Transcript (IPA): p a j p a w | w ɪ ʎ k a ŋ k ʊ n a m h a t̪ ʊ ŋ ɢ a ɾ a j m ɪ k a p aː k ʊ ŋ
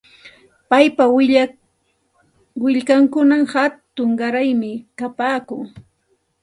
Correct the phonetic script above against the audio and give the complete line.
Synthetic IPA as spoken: p a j p a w | w ɪ ʎ k a ŋ k ʊ n a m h a t̪ ʊ ŋ ɢ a ɾ a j m ɪ k a p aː k ʊ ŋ

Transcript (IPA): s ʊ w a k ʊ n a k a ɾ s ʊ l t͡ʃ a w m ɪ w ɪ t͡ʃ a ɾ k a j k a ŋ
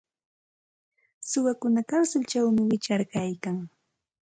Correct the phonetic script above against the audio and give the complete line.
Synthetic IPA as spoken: s ʊ w a k ʊ n a k a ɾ s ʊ l t͡ʃ a w m ɪ w ɪ t͡ʃ a ɾ k a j k a ŋ

